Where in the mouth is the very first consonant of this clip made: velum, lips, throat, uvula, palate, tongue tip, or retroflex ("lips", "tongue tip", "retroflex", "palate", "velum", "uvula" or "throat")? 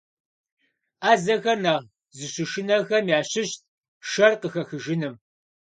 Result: tongue tip